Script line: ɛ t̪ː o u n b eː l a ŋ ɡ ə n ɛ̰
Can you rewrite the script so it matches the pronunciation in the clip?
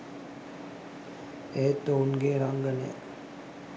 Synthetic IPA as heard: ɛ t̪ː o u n ɡ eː ɾ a ŋ ɡ ə n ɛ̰